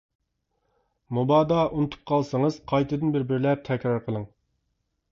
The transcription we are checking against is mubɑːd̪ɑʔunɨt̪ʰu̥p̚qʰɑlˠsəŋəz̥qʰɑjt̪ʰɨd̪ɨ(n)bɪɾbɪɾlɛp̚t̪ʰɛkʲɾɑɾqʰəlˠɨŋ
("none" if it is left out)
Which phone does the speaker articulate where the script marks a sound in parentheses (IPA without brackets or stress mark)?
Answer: n